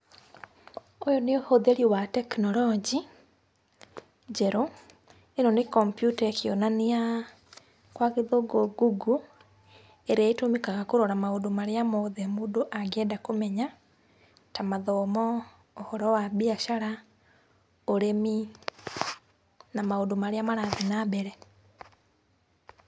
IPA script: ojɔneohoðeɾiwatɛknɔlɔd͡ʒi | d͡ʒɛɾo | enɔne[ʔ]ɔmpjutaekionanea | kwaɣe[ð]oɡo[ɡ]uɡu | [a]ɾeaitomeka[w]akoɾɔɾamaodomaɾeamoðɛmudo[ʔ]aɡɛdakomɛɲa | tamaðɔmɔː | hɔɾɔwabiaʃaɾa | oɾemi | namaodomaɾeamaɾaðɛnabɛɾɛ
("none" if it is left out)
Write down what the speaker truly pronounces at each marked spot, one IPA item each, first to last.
k, ð, ɡ, e, ɣ, ʔ

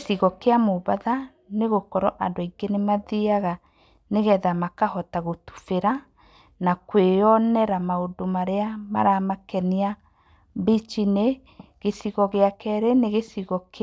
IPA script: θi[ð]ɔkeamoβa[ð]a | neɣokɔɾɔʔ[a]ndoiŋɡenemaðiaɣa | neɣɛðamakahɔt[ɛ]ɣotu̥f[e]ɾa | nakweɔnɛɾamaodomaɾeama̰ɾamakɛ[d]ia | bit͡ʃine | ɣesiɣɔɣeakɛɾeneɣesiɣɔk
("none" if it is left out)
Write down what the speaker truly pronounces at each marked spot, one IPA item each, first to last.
ɣ, ð, a, a, e, n

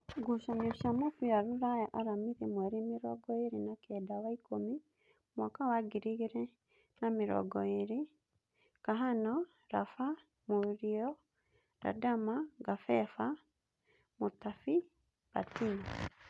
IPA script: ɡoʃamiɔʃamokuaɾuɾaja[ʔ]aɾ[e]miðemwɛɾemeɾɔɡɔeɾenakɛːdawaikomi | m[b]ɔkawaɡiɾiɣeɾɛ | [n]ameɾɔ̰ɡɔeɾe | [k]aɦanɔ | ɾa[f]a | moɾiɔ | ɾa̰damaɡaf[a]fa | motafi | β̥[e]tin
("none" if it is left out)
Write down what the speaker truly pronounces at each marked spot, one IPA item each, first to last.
ʔ, a, w, n, k, f, ɛ, a

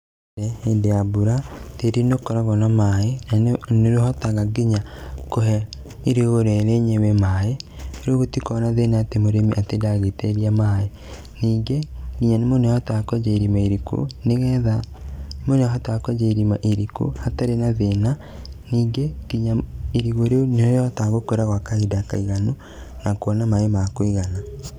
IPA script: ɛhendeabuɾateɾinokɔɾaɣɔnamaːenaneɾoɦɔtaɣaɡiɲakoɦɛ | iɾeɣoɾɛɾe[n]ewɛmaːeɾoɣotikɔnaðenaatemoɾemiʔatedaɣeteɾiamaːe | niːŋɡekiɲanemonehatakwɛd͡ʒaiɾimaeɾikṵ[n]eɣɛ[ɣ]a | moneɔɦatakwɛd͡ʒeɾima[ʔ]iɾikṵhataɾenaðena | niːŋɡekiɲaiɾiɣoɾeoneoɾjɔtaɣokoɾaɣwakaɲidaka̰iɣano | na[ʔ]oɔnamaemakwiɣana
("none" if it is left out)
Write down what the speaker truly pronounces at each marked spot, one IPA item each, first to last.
ɲ, n, ð, ʔ, k

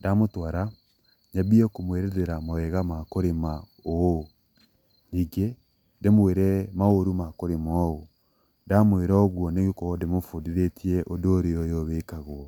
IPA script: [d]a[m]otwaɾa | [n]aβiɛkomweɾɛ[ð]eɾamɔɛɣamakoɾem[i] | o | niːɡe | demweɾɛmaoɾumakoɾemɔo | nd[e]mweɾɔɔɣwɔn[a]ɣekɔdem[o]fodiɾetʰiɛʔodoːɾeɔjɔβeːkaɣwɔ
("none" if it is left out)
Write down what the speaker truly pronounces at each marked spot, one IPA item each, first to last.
d, m, ɲ, ð, a, a, e, o

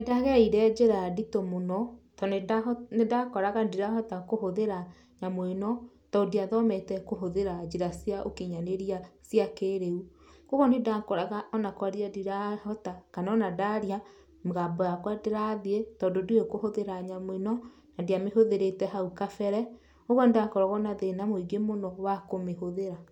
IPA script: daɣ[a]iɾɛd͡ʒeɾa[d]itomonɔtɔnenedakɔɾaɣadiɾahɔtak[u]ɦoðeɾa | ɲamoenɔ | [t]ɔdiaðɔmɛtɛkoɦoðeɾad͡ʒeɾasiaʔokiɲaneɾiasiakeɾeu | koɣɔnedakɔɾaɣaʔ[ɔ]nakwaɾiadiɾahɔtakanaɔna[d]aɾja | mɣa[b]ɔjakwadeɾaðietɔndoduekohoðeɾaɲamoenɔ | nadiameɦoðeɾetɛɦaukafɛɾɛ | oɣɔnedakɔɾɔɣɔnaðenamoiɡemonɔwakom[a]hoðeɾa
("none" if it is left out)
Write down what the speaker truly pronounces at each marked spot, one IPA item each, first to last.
ɛ, d, o, t, ɔ, d, b, e

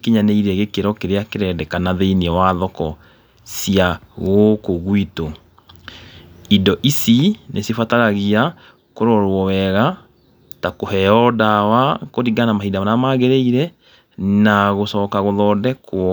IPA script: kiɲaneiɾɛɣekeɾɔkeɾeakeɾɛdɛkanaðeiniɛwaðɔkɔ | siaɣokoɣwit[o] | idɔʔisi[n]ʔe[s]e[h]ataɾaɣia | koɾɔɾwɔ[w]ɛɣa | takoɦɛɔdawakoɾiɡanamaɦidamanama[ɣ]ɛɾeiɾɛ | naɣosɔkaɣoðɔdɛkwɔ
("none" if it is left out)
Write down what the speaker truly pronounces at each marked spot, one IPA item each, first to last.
o, n, s, f, w, ɣ

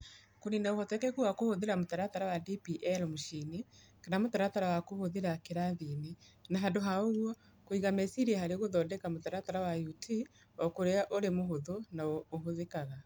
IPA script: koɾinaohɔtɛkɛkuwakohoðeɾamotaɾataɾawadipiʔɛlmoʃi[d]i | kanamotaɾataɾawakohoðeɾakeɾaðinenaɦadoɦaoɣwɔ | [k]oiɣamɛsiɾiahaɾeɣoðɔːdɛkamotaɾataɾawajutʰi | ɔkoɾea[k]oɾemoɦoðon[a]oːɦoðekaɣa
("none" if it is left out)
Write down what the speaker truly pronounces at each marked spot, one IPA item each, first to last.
n, k, ʔ, a

